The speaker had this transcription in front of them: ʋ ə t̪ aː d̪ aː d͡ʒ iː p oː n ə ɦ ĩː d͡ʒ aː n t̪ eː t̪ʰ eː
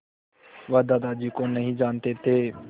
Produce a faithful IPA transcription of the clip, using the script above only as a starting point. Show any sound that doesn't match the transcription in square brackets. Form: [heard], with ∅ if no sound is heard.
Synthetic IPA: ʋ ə [d̪] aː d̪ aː d͡ʒ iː [k] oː n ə ɦ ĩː d͡ʒ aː n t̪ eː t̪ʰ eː